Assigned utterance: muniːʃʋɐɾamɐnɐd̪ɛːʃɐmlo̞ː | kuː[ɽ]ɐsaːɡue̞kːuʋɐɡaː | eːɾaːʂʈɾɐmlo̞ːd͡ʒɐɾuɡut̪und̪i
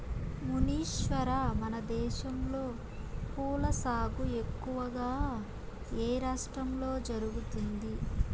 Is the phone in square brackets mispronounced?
yes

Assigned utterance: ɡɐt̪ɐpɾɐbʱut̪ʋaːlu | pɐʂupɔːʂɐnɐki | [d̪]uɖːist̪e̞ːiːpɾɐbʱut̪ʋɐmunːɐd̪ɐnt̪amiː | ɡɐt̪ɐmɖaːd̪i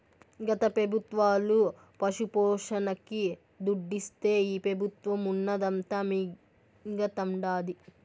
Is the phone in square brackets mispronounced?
no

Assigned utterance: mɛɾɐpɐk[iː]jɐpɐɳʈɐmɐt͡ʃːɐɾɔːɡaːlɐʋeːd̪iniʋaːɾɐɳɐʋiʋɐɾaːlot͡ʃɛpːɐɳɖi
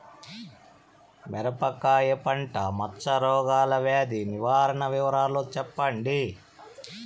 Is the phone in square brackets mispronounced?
yes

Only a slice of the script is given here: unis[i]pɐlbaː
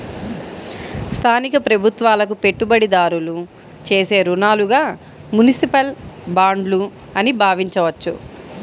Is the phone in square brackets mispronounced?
no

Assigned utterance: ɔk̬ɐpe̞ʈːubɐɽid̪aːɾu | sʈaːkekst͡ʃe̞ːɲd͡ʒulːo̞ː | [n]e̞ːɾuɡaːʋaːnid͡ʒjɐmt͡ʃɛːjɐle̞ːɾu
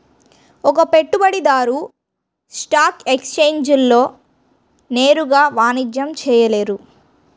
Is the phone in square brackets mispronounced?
no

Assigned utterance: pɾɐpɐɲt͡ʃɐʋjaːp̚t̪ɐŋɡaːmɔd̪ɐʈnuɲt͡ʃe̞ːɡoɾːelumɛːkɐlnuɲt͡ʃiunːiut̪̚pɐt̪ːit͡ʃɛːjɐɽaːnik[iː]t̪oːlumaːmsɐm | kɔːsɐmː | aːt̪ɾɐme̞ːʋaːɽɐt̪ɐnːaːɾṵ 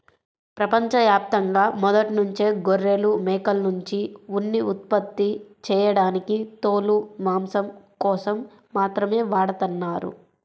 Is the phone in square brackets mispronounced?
yes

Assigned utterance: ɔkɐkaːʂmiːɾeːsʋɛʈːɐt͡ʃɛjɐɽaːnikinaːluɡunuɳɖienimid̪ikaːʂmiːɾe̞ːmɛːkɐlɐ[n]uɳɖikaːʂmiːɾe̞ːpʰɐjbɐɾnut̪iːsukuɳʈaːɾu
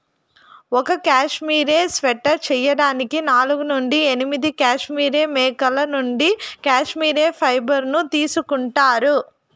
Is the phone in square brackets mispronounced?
no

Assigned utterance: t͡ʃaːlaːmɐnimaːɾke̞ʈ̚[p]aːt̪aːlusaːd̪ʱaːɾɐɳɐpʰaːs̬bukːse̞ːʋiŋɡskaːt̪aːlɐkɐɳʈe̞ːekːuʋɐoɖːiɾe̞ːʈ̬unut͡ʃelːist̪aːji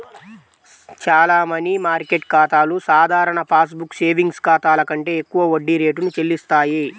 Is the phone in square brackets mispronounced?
yes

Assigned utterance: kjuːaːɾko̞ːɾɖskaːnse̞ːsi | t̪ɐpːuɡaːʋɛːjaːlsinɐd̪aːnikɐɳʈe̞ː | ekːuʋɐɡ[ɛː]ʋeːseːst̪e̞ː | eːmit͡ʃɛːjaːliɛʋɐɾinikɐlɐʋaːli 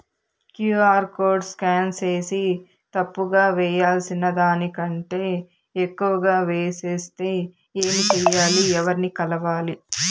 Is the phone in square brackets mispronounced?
yes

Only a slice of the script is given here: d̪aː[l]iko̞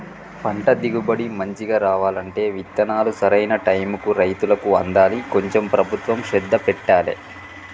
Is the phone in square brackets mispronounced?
no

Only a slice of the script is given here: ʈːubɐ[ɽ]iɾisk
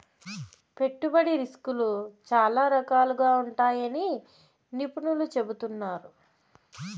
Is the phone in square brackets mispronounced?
no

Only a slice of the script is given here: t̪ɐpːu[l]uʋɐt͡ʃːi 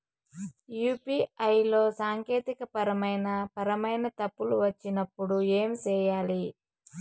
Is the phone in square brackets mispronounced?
no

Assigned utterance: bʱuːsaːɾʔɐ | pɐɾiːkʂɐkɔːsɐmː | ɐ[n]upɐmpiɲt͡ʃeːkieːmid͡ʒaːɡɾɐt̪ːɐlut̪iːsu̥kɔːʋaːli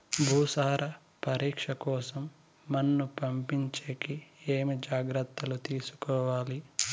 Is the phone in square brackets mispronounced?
yes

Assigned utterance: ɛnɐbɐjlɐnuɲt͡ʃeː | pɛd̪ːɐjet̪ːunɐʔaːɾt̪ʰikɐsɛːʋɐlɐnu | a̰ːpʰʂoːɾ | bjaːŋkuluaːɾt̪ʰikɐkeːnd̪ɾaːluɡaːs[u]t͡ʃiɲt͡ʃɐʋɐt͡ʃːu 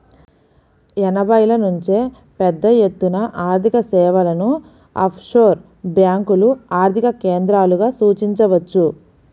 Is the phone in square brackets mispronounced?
yes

